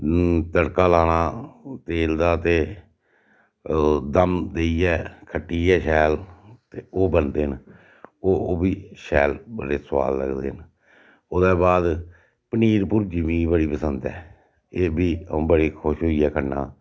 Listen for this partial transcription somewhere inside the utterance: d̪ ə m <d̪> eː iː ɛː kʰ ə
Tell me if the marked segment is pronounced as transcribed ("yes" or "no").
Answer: yes